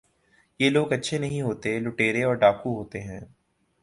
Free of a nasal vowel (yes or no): no